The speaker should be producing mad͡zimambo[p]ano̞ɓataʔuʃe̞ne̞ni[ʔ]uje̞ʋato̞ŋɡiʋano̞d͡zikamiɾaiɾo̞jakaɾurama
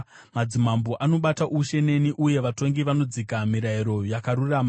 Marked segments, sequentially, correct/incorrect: incorrect, correct

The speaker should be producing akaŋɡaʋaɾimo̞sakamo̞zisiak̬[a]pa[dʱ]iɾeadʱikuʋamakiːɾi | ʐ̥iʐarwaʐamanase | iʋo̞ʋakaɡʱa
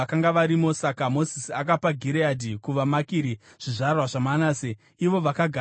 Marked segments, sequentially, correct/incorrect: correct, incorrect

